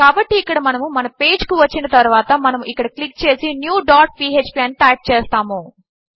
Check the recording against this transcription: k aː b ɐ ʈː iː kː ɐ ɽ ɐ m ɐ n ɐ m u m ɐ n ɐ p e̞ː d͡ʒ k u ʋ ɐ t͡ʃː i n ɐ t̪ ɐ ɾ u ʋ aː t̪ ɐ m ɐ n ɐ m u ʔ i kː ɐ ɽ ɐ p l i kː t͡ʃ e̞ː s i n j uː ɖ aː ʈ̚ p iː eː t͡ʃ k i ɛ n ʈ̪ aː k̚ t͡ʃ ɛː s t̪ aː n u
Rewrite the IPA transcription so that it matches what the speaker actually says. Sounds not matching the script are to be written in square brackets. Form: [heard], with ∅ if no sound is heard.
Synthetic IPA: k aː b ɐ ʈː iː kː ɐ ɽ ɐ m ɐ n ɐ m u m ɐ n ɐ p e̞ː d͡ʒ k u ʋ ɐ t͡ʃː i n ɐ t̪ ɐ ɾ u ʋ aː t̪ ɐ m ɐ n ɐ m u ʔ i kː ɐ ɽ ɐ [k] l i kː t͡ʃ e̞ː s i n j uː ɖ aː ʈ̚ p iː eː t͡ʃ [p] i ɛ n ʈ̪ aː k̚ t͡ʃ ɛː s t̪ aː [m] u